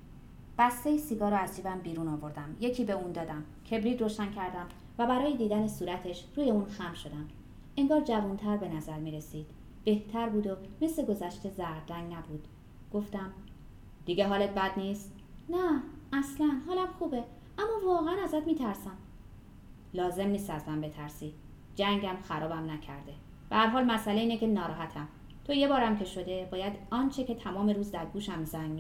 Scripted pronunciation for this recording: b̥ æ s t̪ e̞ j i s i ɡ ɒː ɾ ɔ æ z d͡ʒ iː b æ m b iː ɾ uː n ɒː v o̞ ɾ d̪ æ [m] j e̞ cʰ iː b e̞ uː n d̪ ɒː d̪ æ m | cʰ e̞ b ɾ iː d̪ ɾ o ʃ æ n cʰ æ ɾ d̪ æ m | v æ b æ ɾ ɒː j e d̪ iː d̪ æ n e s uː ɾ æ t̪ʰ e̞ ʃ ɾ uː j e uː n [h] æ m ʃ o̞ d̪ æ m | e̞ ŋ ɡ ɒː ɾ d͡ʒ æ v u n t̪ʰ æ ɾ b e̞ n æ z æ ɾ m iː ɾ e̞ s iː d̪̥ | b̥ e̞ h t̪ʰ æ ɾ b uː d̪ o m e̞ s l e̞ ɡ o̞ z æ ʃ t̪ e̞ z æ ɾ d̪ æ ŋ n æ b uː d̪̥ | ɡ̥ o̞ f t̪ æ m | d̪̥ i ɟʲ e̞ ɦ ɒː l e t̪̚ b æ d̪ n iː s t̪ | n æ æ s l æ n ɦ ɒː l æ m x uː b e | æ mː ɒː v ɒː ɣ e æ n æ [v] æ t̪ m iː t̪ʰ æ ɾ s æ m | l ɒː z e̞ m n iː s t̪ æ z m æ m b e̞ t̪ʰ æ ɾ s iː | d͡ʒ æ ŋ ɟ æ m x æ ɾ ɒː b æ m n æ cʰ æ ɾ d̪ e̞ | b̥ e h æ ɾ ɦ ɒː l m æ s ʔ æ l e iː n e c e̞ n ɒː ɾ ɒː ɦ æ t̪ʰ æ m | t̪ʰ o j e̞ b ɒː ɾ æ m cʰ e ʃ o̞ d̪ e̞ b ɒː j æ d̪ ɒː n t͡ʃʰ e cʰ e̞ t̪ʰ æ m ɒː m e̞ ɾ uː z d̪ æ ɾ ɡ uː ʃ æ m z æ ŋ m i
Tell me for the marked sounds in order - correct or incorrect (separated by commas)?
correct, incorrect, incorrect